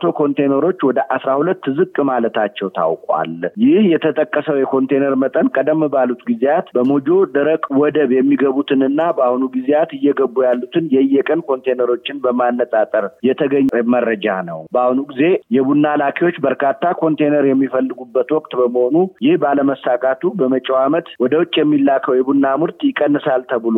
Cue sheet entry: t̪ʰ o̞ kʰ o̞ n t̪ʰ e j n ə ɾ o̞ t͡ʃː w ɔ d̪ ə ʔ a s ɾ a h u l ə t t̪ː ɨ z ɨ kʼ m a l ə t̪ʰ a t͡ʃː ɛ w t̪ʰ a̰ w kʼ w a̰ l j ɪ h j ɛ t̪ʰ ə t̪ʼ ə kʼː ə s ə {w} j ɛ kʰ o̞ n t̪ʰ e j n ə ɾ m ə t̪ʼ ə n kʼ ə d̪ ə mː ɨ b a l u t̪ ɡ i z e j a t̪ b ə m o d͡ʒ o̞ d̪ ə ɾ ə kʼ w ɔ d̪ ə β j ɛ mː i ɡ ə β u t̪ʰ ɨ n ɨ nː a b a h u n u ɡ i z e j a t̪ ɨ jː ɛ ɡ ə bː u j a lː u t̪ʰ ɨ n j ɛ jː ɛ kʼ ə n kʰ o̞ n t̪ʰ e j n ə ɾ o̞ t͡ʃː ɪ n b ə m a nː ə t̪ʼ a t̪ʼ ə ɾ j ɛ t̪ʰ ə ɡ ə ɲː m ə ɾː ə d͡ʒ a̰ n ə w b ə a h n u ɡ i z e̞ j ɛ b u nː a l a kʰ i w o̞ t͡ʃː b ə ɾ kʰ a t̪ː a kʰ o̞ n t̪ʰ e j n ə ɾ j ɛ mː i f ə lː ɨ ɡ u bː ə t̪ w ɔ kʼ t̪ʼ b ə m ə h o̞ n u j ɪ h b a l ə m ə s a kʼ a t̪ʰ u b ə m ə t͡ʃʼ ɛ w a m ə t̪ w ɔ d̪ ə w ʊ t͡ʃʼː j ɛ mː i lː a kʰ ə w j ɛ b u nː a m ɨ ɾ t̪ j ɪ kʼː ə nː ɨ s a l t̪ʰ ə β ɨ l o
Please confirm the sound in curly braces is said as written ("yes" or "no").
yes